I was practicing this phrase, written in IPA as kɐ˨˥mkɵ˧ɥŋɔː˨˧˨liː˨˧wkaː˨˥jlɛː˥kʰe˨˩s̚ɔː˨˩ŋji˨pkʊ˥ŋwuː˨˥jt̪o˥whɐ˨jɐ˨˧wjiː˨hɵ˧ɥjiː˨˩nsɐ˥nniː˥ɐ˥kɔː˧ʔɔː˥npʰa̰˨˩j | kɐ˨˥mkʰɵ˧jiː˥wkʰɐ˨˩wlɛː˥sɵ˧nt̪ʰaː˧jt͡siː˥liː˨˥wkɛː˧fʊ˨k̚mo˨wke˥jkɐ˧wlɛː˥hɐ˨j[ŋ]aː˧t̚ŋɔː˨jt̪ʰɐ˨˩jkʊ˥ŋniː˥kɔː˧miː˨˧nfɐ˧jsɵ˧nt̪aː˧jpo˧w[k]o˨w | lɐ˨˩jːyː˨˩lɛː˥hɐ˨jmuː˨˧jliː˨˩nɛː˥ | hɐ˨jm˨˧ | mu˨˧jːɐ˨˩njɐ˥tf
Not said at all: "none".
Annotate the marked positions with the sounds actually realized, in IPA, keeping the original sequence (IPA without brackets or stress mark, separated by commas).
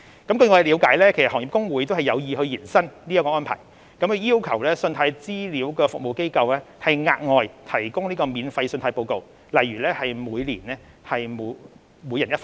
ŋ, k